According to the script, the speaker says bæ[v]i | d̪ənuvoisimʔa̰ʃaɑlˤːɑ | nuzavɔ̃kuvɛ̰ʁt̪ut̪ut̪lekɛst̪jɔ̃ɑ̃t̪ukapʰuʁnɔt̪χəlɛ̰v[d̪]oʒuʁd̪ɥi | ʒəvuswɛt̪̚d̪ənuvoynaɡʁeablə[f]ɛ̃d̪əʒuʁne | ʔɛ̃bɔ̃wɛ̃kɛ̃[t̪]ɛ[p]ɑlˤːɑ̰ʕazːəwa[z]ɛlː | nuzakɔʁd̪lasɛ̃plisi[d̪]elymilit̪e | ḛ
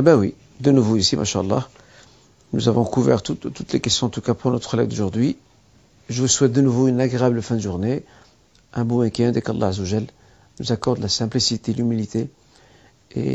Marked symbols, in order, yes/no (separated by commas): no, yes, yes, no, no, no, no